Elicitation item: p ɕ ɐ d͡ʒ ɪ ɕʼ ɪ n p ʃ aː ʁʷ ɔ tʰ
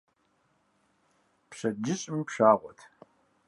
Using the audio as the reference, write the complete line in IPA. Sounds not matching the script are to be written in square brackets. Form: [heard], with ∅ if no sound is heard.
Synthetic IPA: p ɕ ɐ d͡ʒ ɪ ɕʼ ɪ [m] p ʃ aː ʁʷ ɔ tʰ